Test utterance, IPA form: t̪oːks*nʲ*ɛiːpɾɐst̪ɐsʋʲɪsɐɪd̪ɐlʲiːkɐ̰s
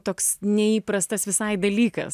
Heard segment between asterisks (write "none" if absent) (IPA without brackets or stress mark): nʲ